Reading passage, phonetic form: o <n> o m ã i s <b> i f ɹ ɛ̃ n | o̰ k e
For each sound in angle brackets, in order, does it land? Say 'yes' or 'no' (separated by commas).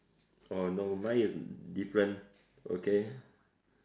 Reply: yes, no